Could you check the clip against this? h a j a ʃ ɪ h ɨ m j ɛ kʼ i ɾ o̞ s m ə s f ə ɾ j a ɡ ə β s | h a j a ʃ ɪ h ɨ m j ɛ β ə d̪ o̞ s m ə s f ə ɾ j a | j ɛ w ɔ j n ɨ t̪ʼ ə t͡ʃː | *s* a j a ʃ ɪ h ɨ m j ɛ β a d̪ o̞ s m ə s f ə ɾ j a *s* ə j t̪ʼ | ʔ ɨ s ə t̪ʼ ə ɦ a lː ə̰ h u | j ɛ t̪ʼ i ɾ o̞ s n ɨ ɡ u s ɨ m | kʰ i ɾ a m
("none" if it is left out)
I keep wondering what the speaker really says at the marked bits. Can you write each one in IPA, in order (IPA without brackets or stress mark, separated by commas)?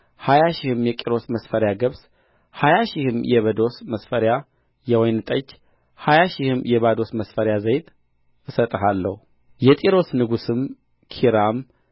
h, z